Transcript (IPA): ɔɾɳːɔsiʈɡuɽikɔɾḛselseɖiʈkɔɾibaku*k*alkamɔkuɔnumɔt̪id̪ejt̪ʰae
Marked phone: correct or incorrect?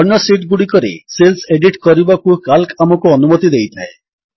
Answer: correct